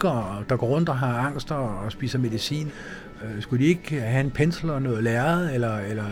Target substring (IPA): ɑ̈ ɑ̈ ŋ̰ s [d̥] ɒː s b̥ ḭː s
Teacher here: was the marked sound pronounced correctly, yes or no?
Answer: yes